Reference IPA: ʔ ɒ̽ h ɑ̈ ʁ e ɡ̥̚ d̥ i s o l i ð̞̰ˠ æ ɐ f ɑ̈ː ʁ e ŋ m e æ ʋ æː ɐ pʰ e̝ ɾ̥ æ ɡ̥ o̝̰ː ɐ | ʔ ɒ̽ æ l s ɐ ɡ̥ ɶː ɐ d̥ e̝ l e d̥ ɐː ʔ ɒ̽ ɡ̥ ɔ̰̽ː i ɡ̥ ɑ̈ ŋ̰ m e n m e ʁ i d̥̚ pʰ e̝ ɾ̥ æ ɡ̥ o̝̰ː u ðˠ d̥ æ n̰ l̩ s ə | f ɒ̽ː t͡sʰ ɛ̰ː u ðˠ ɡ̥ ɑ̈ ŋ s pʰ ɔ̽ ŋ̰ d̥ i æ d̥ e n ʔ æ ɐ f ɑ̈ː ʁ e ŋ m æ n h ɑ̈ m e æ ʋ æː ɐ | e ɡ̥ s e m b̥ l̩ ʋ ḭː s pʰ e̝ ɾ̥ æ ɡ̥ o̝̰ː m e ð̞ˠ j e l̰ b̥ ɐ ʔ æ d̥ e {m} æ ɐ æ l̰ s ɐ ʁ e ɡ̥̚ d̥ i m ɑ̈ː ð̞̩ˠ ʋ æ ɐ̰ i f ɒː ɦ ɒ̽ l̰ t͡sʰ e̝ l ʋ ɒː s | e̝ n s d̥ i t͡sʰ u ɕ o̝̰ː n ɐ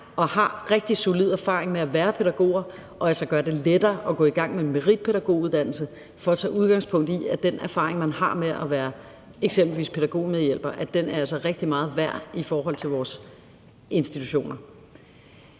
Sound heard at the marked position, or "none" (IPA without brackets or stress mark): n